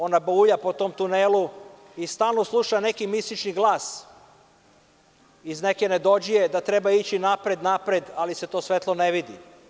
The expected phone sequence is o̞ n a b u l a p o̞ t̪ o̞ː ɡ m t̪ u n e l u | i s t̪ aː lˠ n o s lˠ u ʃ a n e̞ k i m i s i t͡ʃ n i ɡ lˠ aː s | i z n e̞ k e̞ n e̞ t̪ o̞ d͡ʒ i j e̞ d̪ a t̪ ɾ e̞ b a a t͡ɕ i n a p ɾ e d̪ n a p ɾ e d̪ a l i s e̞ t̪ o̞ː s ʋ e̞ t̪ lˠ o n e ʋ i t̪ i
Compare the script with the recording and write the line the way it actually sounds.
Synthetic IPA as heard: o̞ n a b u ʎ a p o̞ t̪ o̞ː m t̪ u n e l u | i s t̪ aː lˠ n o s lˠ u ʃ a n e̞ k i m i s i t͡ʃ n i ɡ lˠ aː s | i z n e̞ k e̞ n e̞ d̪ o̞ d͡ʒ i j e̞ d̪ a t̪ ɾ e̞ b a i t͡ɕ i n a p ɾ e d̪ n a p ɾ e d̪ a l i s e̞ t̪ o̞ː s ʋ e̞ t̪ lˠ o n e ʋ i d̪ i

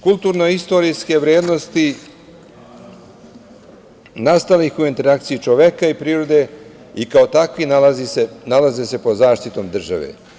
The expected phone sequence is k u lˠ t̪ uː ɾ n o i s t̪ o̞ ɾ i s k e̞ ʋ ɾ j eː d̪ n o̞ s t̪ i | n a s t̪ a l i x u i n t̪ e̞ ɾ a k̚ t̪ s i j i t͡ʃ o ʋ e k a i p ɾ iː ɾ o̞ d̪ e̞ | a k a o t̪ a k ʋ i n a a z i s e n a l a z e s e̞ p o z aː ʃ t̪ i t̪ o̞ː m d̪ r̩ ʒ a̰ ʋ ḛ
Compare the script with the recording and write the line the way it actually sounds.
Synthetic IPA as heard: k u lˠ t̪ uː ɾ n o i s t̪ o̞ ɾ i s k e̞ ʋ ɾ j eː d̪ n o̞ s t̪ i | n a s t̪ a l i x u i n t̪ e̞ ɾ a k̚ t̪ s i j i t͡ʃ o ʋ e k a i p ɾ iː ɾ o̞ d̪ e̞ | i k a o t̪ a k ʋ i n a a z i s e n a l a z e s e̞ p o z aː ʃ t̪ i t̪ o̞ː m d̪ r̩ ʒ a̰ ʋ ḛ

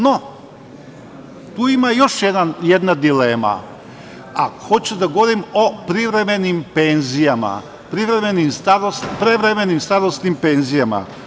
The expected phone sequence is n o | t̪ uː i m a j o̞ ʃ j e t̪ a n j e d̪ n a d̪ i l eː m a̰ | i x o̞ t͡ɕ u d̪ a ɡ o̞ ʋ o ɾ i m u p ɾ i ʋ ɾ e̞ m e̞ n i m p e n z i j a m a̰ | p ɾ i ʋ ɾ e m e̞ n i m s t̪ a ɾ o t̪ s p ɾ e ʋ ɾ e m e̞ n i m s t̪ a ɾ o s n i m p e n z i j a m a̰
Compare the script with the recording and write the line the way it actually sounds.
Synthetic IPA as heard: n o | t̪ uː i m a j o̞ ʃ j e d̪ a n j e d̪ n a d̪ i l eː m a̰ | a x o̞ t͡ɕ u d̪ a ɡ o̞ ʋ o ɾ i m o p ɾ i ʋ ɾ e̞ m e̞ n i m p e n z i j a m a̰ | p ɾ i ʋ ɾ e m e̞ n i m s t̪ a ɾ o s p ɾ e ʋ ɾ e m e̞ n i m s t̪ a ɾ o s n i m p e n z i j a m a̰

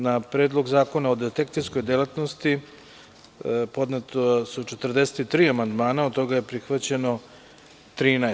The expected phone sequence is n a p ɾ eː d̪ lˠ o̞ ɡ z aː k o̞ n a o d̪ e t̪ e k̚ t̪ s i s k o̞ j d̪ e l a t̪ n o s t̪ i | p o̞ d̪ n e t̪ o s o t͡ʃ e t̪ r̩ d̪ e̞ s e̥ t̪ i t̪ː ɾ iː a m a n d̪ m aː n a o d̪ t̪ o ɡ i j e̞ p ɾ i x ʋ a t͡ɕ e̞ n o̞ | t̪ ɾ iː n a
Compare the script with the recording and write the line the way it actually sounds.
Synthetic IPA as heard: n a p ɾ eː d̪ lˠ o̞ ɡ z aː k o̞ n a o d̪ e t̪ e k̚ t̪ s i s k o̞ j d̪ e l a t̪ n o s t̪ i | p o̞ d̪ n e t̪ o s u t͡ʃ e t̪ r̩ d̪ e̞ s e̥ t̪ i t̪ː ɾ iː a m a n d̪ m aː n a o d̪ t̪ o ɡ a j e̞ p ɾ i x ʋ a t͡ɕ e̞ n o̞ | t̪ ɾ iː n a

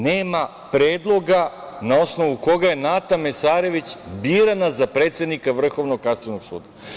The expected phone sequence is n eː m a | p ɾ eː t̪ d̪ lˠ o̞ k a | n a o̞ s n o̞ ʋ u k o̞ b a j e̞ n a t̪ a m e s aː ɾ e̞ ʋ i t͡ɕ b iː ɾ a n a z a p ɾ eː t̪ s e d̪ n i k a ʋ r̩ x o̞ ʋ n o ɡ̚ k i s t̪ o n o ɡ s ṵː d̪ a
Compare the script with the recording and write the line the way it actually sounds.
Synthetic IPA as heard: n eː m a | p ɾ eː d̪ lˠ o̞ ɡ a | n a o̞ s n o̞ ʋ u k o̞ ɡ a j e̞ n a t̪ a m e s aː ɾ e̞ ʋ i t͡ɕ b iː ɾ a n a z a p ɾ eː t̪ s e d̪ n i k a ʋ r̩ x o̞ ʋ n o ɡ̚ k a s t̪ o n o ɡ s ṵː d̪ a

